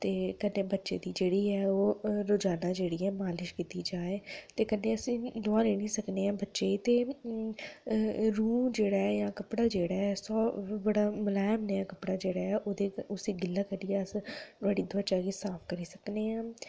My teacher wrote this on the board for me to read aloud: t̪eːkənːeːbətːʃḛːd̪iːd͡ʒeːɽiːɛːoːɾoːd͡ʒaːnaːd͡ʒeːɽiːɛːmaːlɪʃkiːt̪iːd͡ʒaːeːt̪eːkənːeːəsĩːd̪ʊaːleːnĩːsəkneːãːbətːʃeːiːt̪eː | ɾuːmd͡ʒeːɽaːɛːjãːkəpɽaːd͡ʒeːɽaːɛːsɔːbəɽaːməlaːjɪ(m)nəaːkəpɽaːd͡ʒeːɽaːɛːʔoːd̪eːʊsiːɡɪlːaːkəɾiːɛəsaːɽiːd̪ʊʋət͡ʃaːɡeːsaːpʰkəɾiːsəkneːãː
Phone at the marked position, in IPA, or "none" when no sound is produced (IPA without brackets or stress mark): m